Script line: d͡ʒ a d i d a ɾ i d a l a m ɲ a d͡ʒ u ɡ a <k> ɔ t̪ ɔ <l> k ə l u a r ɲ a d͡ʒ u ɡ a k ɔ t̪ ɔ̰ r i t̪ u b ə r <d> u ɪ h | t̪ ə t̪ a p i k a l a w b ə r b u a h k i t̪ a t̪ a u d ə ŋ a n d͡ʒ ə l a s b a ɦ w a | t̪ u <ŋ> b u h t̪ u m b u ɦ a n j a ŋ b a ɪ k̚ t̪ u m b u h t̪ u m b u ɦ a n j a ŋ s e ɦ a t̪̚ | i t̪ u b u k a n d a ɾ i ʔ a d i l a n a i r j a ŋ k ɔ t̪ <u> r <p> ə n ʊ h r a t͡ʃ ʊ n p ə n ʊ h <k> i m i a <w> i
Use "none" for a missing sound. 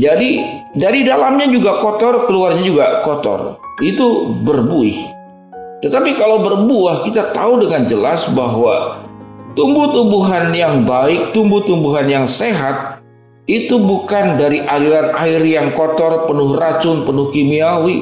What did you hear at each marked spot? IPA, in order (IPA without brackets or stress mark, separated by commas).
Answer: k, r, b, m, ɔ, p, k, w